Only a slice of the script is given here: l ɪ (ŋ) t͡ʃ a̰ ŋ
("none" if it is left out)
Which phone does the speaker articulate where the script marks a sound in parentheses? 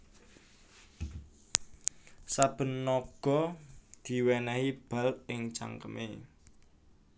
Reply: ŋ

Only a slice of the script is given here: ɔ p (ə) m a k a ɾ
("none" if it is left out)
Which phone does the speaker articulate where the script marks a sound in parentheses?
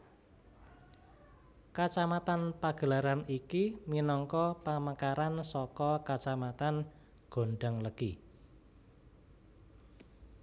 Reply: a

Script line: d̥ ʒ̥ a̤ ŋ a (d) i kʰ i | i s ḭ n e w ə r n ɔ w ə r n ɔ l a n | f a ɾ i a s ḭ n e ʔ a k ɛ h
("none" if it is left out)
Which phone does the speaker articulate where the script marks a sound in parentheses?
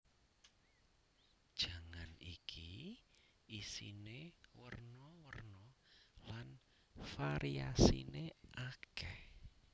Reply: n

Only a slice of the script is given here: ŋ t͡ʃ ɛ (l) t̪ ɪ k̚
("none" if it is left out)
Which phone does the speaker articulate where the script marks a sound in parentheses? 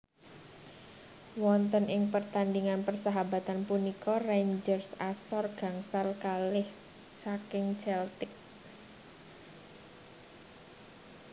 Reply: l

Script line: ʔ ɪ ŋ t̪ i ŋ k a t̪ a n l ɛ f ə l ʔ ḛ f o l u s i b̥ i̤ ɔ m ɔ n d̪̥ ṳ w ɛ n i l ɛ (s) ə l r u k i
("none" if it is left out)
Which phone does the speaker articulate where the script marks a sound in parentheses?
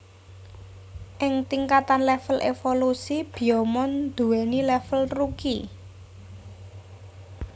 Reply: f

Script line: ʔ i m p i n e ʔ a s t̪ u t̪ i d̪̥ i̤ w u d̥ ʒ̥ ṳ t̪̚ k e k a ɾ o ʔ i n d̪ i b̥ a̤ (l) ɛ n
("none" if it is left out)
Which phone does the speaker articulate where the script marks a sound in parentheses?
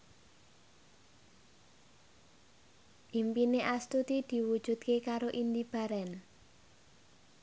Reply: ɾ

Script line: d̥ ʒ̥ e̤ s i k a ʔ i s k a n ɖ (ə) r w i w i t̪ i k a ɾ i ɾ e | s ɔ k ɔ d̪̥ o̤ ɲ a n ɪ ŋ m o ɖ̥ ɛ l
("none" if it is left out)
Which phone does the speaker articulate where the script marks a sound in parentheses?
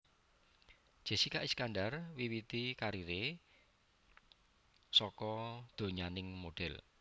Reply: a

